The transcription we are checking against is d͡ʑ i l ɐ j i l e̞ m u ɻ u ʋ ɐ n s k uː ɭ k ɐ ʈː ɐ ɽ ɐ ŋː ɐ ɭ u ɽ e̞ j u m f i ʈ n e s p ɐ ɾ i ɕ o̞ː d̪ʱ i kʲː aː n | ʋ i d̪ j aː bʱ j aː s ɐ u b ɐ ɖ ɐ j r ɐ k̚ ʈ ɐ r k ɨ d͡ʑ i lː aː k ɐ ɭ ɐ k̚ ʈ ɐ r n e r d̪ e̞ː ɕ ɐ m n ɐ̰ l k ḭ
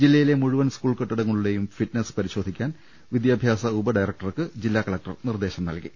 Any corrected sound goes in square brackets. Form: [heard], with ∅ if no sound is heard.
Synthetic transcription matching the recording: d͡ʑ i [lː] ɐ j i l e̞ m u ɻ u ʋ ɐ n s k uː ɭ k ɐ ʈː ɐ ɽ ɐ ŋː ɐ ɭ u ɽ e̞ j u m f i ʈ n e s p ɐ ɾ i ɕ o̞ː d̪ʱ i kʲː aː n | ʋ i d̪ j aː bʱ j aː s ɐ u b ɐ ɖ ɐ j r ɐ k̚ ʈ ɐ r k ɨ d͡ʑ i lː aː k ɐ ɭ ɐ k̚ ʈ ɐ r n [i] r d̪ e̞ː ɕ ɐ m n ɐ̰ l k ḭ